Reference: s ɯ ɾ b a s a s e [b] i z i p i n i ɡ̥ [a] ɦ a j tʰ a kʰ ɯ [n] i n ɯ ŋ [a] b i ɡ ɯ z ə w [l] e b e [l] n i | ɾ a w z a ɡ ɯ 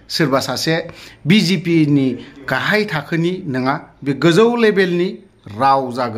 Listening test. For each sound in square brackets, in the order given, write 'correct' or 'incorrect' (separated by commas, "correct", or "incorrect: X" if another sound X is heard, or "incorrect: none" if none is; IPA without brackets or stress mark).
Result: correct, correct, correct, correct, correct, correct